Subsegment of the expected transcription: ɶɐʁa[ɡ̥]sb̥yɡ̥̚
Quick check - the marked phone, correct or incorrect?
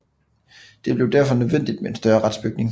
incorrect